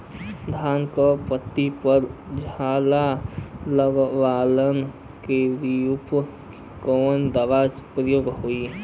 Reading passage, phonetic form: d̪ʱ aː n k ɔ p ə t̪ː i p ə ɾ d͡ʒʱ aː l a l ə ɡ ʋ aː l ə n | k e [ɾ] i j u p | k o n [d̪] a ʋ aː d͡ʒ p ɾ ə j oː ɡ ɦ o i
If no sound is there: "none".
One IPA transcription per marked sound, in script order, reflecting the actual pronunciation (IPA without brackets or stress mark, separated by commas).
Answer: ɾ, d̪